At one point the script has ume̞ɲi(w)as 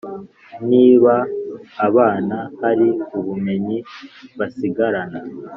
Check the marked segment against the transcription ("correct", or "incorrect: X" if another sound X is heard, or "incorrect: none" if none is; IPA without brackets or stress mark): incorrect: β